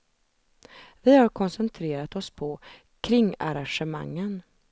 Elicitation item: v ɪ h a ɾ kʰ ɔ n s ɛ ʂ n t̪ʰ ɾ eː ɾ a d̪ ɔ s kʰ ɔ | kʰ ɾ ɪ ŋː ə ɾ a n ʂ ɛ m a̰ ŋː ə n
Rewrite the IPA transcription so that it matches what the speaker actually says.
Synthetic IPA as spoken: v ɪ h a ɾ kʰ ɔ n s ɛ n t̪ʰ ɾ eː ɾ a t̪ ɔ s pʰ ɔ | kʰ ɾ ɪ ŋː a ɾ a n ʂ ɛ m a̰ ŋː ə n